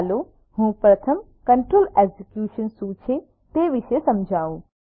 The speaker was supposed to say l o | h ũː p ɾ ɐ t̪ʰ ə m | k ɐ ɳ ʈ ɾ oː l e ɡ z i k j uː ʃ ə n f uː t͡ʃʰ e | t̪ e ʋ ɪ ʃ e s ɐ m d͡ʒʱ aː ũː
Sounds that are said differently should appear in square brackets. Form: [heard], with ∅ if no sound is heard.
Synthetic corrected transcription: l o | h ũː p ɾ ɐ t̪ʰ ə m | k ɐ ɳ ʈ ɾ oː l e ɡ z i k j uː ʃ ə n [s] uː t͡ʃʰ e | t̪ e ʋ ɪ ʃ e s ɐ m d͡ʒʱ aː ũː

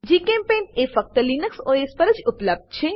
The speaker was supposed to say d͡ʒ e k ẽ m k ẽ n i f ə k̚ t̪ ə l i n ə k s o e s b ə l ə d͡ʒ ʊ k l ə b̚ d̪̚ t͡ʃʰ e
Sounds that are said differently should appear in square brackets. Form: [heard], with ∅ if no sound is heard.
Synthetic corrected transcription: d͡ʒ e k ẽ m [p] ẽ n [e] f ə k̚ t̪ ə l i n ə k s o e s [p] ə [ɾ] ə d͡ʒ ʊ [p] l ə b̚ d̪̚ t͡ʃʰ e

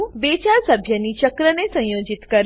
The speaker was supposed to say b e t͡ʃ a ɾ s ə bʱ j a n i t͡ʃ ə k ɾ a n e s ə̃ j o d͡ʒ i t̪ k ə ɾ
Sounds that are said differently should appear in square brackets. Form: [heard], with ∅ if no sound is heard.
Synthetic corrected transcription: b e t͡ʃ a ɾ s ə bʱ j [ə] n i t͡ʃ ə k ɾ [ə] n e s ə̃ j o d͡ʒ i t̪ k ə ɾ

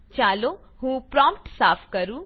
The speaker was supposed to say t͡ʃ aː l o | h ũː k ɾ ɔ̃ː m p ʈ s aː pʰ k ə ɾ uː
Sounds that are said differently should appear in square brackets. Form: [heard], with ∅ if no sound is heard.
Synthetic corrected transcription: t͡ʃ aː l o | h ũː [p] ɾ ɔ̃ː m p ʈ s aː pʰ k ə ɾ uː

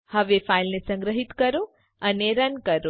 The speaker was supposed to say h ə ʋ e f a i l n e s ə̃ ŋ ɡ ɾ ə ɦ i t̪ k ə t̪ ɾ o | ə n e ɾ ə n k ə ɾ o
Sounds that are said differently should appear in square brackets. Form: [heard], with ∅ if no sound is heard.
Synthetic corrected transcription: h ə ʋ e f a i l n e s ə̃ ŋ ɡ ɾ ə ɦ i t̪ k ə [∅] ɾ o | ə n e ɾ ə n k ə ɾ o

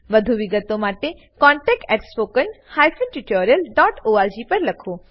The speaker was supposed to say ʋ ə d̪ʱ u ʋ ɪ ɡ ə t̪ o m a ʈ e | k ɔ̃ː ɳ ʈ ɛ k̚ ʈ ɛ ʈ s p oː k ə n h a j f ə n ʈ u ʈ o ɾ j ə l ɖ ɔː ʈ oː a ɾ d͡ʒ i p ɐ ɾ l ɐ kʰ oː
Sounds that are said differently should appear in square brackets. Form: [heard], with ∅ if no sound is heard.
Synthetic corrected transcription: ʋ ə d̪ʱ u ʋ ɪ ɡ ə t̪ o m a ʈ e | k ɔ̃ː ɳ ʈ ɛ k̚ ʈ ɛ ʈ s p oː k ə n h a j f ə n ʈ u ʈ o ɾ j ə l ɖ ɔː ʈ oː a ɾ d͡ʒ i p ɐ ɾ l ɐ kʰ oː

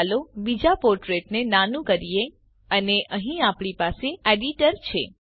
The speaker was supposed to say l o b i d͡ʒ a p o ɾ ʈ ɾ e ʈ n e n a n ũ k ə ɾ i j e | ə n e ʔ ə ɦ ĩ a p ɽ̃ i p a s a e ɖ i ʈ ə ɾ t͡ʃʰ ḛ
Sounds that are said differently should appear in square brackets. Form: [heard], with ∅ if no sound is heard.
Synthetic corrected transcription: l o b i d͡ʒ a p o ɾ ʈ ɾ e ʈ n e n a n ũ k ə ɾ i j e | ə n e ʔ ə ɦ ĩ a p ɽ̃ i p a s [e] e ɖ i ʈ ə ɾ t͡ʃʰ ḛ

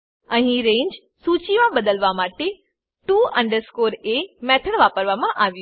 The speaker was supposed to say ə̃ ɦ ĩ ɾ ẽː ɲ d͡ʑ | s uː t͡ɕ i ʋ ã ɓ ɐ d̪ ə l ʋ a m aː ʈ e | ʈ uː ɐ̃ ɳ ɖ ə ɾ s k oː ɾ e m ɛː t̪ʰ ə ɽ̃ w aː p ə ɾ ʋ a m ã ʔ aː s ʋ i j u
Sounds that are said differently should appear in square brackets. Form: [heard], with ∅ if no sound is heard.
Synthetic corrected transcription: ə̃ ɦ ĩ ɾ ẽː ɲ d͡ʑ | s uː t͡ɕ i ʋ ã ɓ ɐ d̪ ə l ʋ a m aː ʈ e | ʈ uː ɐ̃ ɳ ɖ ə ɾ s k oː ɾ e m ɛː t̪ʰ ə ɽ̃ [ʋ] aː p ə ɾ ʋ a m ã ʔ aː [∅] ʋ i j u

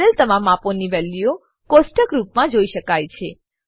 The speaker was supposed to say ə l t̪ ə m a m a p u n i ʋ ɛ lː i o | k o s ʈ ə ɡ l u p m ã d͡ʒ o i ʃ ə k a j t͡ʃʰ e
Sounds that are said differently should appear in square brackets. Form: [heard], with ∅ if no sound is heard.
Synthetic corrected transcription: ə l t̪ ə m a m a p [o] n i ʋ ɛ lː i o | k o s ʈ ə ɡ [ɾ] u p m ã d͡ʒ o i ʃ ə k a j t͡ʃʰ e

